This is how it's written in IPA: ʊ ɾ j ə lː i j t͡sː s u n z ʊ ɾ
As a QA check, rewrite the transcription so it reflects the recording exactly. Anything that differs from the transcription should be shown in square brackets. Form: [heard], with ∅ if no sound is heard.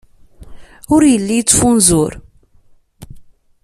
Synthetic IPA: ʊ ɾ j ə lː i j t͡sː [f] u n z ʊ ɾ